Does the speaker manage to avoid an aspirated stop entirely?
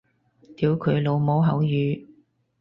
no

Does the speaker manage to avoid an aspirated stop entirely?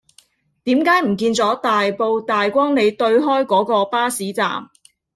yes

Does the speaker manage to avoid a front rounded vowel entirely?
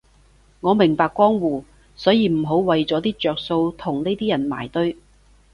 no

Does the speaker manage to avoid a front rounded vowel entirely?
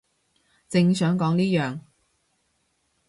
no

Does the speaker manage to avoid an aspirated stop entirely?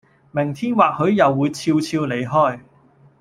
no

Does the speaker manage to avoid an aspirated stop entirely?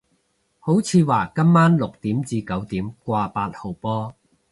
no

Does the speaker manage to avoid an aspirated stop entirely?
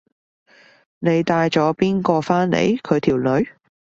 no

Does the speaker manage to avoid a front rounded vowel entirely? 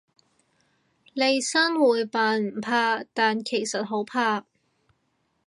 yes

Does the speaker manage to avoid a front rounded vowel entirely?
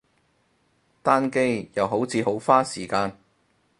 yes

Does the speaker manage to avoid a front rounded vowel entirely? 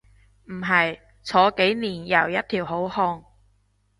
yes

